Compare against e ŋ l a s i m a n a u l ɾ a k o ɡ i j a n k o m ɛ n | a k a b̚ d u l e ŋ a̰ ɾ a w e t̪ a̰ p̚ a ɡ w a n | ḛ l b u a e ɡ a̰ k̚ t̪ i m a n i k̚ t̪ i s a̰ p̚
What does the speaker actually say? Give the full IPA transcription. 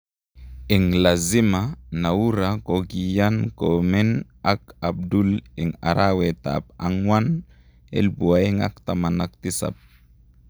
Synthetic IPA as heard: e ŋ l a z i m a n a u ɾ a k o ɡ i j a n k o m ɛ n | a k a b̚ d u l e ŋ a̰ ɾ a w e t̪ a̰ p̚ a ŋ w a n | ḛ l b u a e ŋ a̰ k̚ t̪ a m a n a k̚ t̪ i s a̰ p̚